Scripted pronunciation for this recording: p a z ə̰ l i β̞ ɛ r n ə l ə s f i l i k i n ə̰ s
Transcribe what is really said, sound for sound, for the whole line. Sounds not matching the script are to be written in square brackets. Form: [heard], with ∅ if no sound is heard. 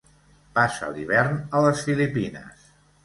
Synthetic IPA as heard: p a [s] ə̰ l i β̞ ɛ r n ə l ə s f i l i [p] i n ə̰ s